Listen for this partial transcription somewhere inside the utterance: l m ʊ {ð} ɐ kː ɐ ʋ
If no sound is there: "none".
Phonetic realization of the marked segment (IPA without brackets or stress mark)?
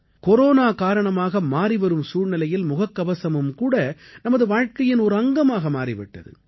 ɣ